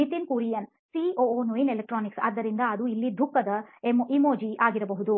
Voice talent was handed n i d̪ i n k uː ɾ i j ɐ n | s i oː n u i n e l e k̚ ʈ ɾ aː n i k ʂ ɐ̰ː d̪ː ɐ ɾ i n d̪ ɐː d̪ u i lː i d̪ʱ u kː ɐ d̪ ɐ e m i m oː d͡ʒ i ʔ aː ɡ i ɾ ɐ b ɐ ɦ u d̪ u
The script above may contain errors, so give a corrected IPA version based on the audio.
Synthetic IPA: n i t̪ i n k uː ɾ i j ɐ n | s i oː n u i n e l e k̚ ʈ ɾ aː n i k s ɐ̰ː d̪ː ɐ ɾ i n d̪ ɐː d̪ u i lː i d̪ʱ u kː ɐ d̪ ɐ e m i m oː d͡ʒ i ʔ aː ɡ i ɾ ɐ b ɐ ɦ u d̪ u